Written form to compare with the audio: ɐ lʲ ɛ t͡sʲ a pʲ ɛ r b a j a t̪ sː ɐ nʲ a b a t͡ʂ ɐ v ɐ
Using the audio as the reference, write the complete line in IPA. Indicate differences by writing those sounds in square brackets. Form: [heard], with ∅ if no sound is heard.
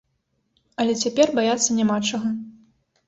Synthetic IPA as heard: ɐ lʲ ɛ t͡sʲ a pʲ ɛ r b a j a t̪ sː ɐ nʲ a [m] a t͡ʂ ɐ [ɣ] ɐ